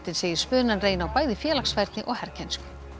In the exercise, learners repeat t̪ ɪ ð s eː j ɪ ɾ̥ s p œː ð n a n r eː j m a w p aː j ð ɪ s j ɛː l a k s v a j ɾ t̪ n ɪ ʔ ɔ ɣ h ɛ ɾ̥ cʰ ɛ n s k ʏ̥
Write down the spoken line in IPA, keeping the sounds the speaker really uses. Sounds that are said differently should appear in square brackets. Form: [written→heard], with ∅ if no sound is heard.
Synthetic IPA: t̪ ɪ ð s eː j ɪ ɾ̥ s p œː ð n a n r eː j [m→n] a w p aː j ð ɪ [s→f] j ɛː l a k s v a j ɾ t̪ n ɪ ʔ ɔ ɣ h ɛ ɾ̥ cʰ ɛ n s k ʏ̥